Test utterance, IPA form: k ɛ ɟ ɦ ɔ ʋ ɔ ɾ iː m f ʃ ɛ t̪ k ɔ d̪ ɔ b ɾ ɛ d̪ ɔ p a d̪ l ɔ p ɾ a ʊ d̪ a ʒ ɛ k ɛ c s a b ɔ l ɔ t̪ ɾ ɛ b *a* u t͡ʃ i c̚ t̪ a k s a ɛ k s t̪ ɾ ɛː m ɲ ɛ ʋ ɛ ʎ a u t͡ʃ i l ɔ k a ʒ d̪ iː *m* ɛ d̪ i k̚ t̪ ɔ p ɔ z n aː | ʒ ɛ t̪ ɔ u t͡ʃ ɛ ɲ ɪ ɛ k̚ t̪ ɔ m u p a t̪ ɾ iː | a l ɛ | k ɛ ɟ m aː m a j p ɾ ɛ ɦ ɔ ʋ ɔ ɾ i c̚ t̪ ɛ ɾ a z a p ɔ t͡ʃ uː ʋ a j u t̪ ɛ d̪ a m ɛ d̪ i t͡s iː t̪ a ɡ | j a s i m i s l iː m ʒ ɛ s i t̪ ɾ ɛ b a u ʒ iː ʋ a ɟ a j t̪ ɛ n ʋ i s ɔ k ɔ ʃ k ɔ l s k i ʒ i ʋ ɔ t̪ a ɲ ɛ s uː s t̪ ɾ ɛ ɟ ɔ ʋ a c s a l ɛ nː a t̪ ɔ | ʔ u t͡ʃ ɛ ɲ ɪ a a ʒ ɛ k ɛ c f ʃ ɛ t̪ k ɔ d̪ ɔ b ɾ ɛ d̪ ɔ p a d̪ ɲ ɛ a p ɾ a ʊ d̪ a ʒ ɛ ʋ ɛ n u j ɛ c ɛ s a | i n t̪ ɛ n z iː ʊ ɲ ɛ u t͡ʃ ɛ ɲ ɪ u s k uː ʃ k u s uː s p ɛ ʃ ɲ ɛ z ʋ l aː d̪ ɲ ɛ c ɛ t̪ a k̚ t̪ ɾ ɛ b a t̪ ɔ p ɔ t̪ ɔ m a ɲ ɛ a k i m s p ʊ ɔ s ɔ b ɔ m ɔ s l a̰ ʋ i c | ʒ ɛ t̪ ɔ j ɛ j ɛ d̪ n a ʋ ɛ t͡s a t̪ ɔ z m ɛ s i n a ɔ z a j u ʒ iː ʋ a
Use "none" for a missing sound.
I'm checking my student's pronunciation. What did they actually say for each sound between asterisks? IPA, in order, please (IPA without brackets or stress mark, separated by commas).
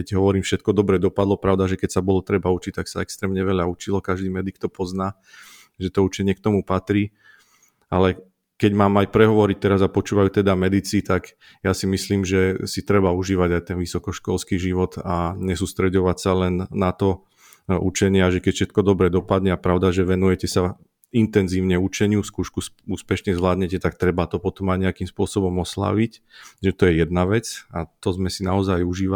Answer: a, m